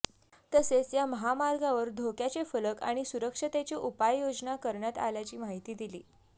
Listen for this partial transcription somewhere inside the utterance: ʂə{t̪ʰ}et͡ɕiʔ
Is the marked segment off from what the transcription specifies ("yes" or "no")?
yes